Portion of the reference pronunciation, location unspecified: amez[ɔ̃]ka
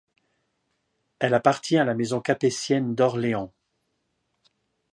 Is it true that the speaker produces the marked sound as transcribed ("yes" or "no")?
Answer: yes